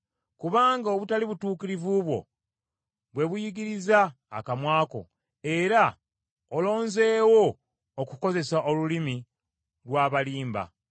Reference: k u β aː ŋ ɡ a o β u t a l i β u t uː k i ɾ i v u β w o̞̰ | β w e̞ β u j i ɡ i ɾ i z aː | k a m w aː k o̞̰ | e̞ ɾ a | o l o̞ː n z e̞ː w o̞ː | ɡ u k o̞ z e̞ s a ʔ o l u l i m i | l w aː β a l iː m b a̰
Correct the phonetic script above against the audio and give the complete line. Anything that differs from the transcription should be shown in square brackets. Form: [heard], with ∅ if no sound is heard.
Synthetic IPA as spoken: k u β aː ŋ ɡ a o β u t a l i β u t uː k i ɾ i v u β w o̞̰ | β w e̞ β u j i ɡ i ɾ i z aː | k a m w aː k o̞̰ | e̞ ɾ a | o l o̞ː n z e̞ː w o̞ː | [k] u k o̞ z e̞ s a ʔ o l u l i m i | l w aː β a l iː m b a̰